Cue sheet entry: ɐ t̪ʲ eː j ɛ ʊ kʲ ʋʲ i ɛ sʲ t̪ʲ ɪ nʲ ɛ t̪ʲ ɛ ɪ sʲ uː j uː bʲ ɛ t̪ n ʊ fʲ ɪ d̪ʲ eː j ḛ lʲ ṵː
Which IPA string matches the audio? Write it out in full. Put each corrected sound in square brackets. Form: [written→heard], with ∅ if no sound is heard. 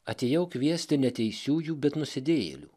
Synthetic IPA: ɐ t̪ʲ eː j ɛ ʊ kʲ ʋʲ i ɛ sʲ t̪ʲ ɪ nʲ ɛ t̪ʲ ɛ ɪ sʲ uː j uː bʲ ɛ t̪ n ʊ [fʲ→sʲ] ɪ d̪ʲ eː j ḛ lʲ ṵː